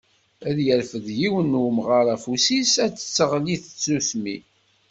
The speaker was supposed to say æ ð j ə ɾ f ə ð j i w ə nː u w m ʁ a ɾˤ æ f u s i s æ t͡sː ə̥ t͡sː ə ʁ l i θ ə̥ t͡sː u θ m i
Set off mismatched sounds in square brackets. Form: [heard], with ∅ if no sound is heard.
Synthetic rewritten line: æ ð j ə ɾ f ə ð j i w ə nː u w m ʁ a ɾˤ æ f u s i s æ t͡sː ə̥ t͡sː ə ʁ l i θ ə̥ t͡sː u θ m i